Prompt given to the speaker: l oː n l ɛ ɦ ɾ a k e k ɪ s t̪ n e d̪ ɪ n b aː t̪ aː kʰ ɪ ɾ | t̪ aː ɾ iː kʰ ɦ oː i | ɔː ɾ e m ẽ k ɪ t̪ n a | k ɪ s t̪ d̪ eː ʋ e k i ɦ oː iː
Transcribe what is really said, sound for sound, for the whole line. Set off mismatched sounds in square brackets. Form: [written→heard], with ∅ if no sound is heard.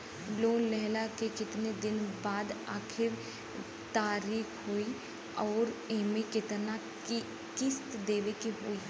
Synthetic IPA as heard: l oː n l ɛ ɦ [ɾ→l] a k e k ɪ [s→∅] t̪ n e d̪ ɪ n b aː [t̪→d̪] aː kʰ ɪ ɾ | t̪ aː ɾ iː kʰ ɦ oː i | ɔː ɾ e m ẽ k ɪ t̪ n a | k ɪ s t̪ d̪ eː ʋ e k i ɦ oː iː